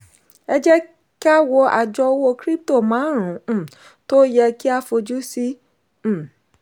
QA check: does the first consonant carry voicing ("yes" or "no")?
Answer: yes